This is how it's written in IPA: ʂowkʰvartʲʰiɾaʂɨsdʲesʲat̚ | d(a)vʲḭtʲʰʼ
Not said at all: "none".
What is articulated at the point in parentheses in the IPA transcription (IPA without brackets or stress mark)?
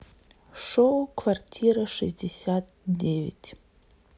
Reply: e